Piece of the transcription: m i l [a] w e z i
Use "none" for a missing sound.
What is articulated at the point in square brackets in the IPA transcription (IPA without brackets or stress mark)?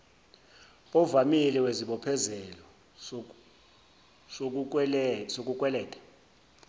ɛ